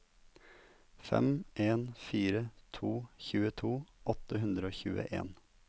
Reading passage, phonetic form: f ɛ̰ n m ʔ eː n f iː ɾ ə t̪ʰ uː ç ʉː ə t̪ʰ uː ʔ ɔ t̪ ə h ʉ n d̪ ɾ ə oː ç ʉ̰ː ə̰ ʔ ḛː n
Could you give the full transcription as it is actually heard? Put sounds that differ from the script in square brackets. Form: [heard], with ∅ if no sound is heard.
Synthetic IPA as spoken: f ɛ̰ [∅] m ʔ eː n f iː ɾ ə t̪ʰ uː ç ʉː ə t̪ʰ uː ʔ ɔ t̪ ə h ʉ n d̪ ɾ ə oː ç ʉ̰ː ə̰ ʔ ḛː n